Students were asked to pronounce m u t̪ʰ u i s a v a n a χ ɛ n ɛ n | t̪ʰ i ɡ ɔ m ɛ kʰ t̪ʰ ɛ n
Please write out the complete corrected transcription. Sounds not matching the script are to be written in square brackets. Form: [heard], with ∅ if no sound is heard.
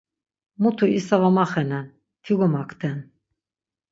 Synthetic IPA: m u t̪ʰ u i s a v a [m] a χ ɛ n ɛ n | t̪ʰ i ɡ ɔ m [a] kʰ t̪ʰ ɛ n